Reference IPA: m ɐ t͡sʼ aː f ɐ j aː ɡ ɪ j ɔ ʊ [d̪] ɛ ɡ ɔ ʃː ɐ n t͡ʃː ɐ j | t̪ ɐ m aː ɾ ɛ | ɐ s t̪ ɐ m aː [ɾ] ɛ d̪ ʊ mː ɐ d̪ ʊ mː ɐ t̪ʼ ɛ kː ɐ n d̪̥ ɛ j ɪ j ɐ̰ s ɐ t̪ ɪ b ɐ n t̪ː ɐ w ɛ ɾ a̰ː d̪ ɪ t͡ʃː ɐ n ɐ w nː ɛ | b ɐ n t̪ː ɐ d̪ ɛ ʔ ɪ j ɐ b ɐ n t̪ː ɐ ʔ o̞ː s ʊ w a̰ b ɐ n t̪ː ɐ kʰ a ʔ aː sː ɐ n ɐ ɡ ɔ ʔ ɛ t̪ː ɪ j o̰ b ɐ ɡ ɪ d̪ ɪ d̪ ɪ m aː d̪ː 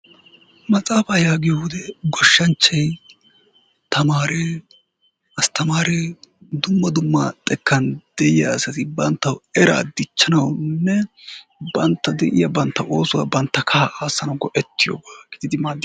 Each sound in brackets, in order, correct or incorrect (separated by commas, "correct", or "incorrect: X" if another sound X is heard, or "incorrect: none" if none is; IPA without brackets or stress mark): correct, correct